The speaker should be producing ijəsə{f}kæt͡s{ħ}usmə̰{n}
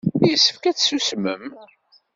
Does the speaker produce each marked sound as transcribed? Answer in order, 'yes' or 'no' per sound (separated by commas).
yes, no, no